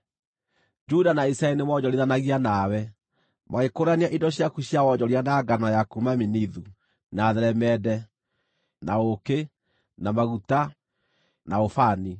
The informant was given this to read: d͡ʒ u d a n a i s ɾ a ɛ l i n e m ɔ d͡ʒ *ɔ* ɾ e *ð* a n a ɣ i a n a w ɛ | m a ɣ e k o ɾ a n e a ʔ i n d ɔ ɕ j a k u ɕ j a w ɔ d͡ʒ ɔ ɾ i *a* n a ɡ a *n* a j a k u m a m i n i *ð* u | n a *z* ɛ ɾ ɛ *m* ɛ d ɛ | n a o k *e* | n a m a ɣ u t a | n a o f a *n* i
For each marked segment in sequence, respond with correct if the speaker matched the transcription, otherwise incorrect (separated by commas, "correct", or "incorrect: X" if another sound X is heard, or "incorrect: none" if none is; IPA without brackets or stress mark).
correct, correct, correct, correct, correct, incorrect: ð, correct, correct, correct